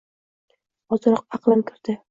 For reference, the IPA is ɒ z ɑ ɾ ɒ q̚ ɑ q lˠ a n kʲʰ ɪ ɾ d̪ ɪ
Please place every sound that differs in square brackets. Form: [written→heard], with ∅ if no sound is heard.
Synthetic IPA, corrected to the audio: ɒ z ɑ ɾ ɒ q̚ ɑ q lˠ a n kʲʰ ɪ ɾ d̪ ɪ